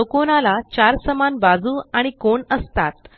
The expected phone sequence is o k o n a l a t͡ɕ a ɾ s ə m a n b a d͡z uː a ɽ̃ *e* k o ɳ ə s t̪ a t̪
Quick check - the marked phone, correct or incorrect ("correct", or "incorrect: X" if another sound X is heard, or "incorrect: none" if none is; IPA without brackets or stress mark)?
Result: incorrect: i